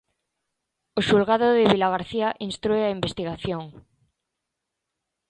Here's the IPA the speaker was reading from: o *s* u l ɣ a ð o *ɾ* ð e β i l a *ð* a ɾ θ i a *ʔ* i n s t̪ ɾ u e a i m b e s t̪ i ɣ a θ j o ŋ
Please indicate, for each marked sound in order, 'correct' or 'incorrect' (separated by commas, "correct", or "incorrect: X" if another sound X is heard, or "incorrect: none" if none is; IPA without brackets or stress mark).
incorrect: ʃ, incorrect: none, incorrect: ɣ, correct